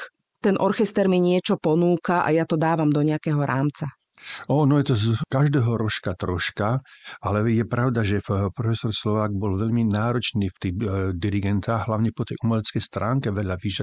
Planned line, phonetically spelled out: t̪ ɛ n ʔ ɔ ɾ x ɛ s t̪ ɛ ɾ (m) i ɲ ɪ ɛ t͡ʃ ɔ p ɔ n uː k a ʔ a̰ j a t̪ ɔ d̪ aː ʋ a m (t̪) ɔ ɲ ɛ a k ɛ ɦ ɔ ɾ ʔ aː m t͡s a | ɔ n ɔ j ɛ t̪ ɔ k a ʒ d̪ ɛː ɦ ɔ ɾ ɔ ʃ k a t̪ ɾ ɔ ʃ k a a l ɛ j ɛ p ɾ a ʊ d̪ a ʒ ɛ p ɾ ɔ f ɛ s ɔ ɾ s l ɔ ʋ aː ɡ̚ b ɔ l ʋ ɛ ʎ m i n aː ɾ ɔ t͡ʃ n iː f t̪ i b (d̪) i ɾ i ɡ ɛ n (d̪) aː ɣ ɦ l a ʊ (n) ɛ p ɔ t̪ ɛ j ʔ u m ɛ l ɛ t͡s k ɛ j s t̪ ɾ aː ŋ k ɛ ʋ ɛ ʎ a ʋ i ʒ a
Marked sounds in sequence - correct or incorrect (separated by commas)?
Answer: correct, incorrect, correct, incorrect, incorrect